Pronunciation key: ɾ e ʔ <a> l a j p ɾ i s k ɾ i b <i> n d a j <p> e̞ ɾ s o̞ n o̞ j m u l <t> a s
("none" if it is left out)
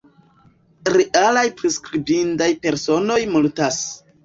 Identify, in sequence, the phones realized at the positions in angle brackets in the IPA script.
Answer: a, i, p, t

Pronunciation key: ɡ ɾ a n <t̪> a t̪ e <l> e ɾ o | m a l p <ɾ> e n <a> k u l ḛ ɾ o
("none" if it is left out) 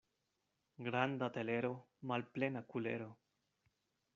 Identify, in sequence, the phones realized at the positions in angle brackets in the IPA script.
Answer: d̪, l, l, a

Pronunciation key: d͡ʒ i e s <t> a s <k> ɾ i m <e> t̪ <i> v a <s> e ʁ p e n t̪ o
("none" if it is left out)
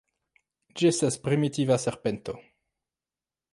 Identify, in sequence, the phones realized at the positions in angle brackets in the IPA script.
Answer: t, p, i, i, s

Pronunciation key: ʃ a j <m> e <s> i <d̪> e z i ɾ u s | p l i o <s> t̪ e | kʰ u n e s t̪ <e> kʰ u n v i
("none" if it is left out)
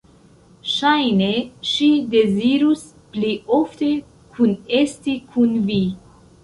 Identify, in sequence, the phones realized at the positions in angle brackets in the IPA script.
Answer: n, ʃ, d̪, f, i

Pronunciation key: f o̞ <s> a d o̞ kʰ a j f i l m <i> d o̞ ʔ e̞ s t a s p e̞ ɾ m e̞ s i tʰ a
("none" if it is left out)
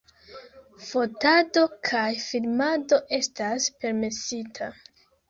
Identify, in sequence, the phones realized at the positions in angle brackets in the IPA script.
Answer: t, a

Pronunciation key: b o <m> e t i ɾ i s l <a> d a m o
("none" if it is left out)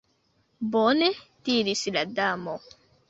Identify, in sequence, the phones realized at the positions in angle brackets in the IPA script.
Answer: n, a

